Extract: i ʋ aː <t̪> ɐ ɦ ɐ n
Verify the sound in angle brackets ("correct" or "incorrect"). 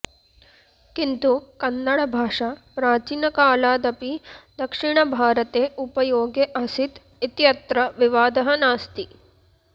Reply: incorrect